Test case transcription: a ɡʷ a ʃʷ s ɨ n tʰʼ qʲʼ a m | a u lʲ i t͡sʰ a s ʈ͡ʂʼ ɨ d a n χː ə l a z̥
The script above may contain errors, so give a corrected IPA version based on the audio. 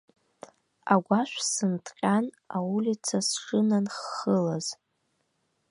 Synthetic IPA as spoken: a ɡʷ a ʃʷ s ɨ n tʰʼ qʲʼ a n | a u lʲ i t͡sʰ a s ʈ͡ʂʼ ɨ n a n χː ə l a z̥

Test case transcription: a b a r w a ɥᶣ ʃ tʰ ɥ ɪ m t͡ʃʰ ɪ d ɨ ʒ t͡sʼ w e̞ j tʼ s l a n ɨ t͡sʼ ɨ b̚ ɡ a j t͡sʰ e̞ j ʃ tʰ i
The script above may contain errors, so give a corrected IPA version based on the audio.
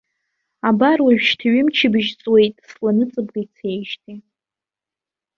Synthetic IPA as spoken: a b a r w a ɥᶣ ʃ tʰ ɥ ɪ m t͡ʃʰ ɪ b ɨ ʒ t͡sʼ w e̞ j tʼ s l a n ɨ t͡sʼ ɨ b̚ ɡ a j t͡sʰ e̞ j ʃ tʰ i

